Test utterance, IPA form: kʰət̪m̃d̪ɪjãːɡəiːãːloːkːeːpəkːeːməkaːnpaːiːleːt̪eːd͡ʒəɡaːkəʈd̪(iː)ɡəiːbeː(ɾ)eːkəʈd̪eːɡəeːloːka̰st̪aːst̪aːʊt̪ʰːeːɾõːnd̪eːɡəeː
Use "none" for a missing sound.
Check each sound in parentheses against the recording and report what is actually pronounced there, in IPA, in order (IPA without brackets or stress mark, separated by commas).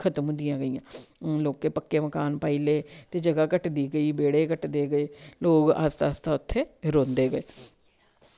iː, ɽ